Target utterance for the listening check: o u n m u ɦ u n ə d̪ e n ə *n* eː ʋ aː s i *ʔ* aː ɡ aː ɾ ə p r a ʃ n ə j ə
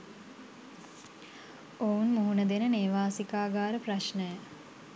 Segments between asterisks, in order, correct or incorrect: correct, incorrect

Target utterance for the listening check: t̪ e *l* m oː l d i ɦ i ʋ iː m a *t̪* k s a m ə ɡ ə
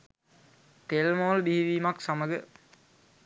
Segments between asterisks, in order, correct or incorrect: correct, incorrect

